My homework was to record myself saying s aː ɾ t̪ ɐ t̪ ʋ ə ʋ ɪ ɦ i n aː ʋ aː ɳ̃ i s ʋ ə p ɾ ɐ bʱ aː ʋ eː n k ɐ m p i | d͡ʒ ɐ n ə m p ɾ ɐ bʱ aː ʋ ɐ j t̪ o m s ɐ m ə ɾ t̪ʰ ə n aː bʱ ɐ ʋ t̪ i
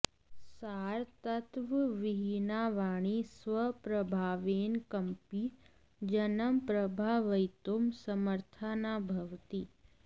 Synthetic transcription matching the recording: s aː ɾ t̪ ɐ t̪ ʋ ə ʋ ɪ ɦ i n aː ʋ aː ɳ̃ i s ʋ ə p ɾ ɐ bʱ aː ʋ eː n k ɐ m p i | d͡ʒ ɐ n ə m p ɾ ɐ bʱ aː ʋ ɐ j t̪ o m s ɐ m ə ɾ t̪ʰ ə n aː bʱ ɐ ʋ t̪ i

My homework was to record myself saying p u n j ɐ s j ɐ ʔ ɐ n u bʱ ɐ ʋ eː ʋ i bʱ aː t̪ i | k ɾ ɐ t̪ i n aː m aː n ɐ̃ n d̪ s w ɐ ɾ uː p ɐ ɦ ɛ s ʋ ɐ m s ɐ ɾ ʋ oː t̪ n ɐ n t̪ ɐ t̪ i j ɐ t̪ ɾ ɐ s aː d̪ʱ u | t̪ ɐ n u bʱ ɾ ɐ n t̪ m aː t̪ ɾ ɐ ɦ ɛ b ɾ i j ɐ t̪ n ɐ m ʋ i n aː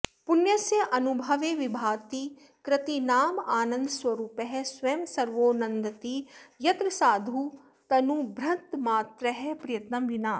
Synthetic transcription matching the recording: p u n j ɐ s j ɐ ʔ ɐ n u bʱ ɐ ʋ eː ʋ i bʱ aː t̪ i | k ɾ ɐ t̪ i n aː m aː n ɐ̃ n d̪ s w ɐ ɾ uː p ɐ ɦ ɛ s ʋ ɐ m s ɐ ɾ ʋ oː n ɐ n d̪ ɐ t̪ i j ɐ t̪ ɾ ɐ s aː d̪ʱ u | t̪ ɐ n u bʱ ɾ ɐ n t̪ m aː t̪ ɾ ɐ ɦ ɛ p ɾ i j ɐ t̪ n ɐ m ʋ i n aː

